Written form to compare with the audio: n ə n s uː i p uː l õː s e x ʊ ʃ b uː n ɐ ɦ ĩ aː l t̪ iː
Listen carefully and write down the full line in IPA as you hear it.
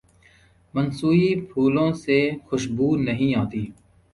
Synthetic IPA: m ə n s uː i pʰ uː l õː s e x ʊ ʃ b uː n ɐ ɦ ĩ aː t̪ iː

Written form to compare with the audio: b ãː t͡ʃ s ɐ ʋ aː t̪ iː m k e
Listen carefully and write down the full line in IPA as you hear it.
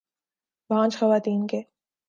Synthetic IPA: b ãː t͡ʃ x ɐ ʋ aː t̪ iː n k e

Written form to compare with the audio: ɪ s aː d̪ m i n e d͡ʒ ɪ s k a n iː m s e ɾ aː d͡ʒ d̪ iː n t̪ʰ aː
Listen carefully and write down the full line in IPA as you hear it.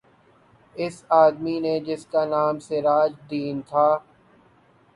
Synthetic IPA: ɪ s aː d̪ m i n e d͡ʒ ɪ s k a n aː m s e ɾ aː d͡ʒ d̪ iː n t̪ʰ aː

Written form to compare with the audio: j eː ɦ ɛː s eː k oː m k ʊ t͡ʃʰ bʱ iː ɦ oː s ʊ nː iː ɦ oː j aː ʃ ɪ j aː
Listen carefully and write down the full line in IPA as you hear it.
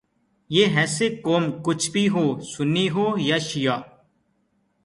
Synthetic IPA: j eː ɦ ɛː s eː k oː m k ʊ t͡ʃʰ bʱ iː ɦ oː s ʊ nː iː ɦ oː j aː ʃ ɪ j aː

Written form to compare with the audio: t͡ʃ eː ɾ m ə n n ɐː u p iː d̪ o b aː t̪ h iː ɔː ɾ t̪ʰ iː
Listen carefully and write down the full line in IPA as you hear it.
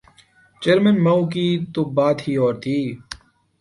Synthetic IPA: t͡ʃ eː ɾ m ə n m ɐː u k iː t̪ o b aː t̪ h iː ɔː ɾ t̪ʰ iː

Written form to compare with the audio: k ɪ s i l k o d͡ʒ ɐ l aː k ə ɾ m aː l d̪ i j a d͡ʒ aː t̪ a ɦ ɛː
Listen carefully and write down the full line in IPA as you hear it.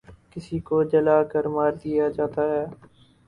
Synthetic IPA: k ɪ s i k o d͡ʒ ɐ l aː k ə ɾ m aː ɾ d̪ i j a d͡ʒ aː t̪ a ɦ ɛː

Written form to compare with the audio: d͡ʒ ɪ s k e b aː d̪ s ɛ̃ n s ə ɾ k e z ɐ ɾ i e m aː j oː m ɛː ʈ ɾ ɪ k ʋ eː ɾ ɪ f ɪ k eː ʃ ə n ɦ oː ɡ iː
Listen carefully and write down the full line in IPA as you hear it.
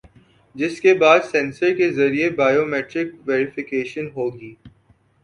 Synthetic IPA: d͡ʒ ɪ s k e b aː d̪ s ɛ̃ n s ə ɾ k e z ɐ ɾ i e b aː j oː m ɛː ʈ ɾ ɪ k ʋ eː ɾ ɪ f ɪ k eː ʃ ə n ɦ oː ɡ iː

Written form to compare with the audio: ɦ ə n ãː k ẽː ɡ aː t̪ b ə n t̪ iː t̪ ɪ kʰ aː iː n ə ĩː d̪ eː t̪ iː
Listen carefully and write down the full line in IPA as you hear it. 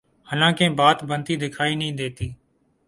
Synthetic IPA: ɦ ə n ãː k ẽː b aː t̪ b ə n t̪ iː d̪ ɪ kʰ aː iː n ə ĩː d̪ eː t̪ iː

